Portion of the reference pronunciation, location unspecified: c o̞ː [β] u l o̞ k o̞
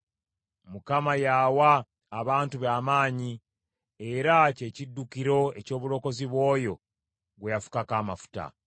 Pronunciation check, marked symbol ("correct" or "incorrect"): correct